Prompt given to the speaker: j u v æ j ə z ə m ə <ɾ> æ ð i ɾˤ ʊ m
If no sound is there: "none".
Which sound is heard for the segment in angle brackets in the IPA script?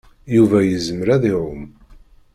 ɾ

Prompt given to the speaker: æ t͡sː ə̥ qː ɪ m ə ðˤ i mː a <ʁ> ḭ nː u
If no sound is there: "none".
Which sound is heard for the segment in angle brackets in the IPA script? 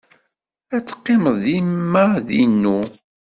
ð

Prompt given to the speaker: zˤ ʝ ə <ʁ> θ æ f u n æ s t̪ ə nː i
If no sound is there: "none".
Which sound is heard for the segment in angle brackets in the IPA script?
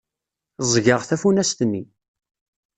ʁ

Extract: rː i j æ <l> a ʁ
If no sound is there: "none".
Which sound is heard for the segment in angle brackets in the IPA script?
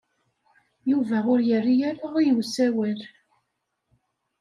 ɾ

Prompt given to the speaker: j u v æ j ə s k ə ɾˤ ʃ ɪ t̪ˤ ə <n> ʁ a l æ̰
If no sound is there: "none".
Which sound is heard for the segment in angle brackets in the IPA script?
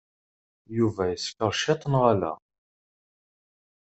n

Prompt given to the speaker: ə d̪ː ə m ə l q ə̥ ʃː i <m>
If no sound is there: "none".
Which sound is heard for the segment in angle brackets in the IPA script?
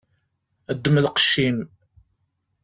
m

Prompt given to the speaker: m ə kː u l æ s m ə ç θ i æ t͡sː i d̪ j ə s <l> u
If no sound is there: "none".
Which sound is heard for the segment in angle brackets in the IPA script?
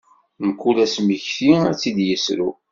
ɾ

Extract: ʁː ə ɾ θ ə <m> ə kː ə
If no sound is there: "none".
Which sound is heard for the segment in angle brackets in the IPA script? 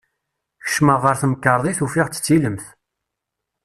m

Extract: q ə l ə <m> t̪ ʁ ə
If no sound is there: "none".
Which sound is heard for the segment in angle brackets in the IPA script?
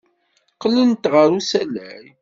n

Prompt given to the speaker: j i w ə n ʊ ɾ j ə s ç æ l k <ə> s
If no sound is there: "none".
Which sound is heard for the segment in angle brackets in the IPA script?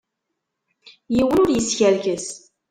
ə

